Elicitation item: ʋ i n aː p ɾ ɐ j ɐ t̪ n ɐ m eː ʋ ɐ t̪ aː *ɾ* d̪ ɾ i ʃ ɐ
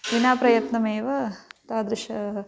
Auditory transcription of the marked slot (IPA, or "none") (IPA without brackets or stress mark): none